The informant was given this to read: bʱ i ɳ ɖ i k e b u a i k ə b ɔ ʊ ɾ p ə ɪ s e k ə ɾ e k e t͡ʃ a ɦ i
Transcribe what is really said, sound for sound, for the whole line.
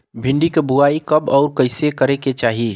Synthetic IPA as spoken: bʱ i ɳ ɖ i k e b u a i k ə b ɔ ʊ ɾ k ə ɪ s e k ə ɾ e k e t͡ʃ a ɦ i

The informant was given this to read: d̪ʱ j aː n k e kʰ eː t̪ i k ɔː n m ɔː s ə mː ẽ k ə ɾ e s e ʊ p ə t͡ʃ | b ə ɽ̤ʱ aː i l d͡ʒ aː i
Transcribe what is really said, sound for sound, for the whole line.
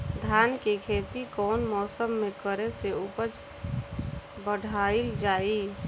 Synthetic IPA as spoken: d̪ʱ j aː n k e kʰ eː t̪ i k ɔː n m ɔː s ə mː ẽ k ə ɾ e s e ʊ p ə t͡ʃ | b ə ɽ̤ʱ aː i l d͡ʒ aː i

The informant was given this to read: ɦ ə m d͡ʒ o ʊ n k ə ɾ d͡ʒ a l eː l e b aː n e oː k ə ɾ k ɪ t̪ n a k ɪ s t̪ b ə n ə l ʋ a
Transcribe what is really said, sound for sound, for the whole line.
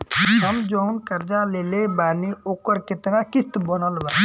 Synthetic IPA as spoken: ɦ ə m d͡ʒ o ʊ n k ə ɾ d͡ʒ a l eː l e b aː n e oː k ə ɾ k ɪ t̪ n a k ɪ s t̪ b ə n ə l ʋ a

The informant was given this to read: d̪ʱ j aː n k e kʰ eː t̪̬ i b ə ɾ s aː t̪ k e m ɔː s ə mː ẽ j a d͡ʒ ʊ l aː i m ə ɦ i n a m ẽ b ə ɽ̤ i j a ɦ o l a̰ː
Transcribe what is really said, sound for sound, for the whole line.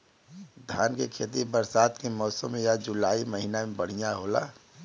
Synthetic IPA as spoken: d̪ʱ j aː n k e kʰ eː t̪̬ i b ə ɾ s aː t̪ k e m ɔː s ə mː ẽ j a d͡ʒ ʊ l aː i m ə ɦ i n a m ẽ b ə ɽ̤ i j a ɦ o l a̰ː

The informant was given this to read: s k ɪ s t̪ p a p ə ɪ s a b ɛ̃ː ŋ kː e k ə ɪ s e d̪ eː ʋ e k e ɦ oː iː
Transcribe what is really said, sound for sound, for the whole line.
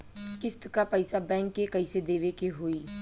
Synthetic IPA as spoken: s k ɪ s t̪ k a p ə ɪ s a b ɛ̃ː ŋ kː e k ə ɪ s e d̪ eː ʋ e k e ɦ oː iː

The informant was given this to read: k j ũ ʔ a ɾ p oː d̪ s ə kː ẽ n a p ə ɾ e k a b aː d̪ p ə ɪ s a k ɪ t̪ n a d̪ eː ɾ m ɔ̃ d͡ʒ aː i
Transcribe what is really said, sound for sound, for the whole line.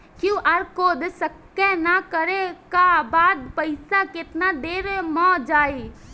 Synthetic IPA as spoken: k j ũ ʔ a ɾ k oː d̪ s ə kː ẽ n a k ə ɾ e k a b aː d̪ p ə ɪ s a k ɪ t̪ n a d̪ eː ɾ m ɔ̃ d͡ʒ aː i

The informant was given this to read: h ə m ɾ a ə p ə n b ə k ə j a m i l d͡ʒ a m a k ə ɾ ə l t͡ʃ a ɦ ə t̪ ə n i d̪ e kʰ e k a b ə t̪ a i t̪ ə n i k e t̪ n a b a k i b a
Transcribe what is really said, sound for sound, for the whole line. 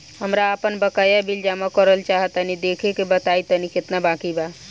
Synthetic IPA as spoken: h ə m ɾ a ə p ə n b ə k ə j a b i l d͡ʒ a m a k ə ɾ ə l t͡ʃ a ɦ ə t̪ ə n i d̪ e kʰ e k e b ə t̪ a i t̪ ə n i k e t̪ n a b a k i b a

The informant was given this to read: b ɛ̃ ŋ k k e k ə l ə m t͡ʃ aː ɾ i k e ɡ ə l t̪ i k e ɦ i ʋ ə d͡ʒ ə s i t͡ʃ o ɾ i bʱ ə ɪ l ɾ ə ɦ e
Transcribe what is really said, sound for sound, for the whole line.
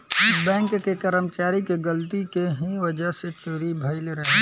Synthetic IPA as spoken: b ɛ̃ ŋ k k e k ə ɾ ə m t͡ʃ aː ɾ i k e ɡ ə l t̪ i k e ɦ i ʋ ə d͡ʒ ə s e t͡ʃ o ɾ i bʱ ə ɪ l ɾ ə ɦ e

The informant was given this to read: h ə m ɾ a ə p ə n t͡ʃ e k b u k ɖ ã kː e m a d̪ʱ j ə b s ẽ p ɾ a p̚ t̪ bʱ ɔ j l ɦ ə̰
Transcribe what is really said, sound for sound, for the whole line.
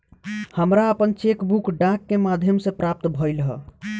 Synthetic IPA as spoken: h ə m ɾ a ə p ə n t͡ʃ e k b u k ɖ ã kː e m a d̪ʱ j ə m s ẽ p ɾ a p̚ t̪ bʱ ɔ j l ɦ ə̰

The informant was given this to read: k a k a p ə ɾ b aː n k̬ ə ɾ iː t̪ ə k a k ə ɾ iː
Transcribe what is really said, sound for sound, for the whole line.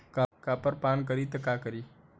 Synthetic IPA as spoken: k a k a p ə ɾ p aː n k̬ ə ɾ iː t̪ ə k a k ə ɾ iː

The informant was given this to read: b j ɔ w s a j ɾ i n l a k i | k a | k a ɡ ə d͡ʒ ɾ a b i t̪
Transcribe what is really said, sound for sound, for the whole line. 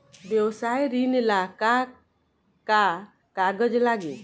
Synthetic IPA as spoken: b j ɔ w s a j ɾ i n l a k a | k a | k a ɡ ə d͡ʒ l a ɡ i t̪

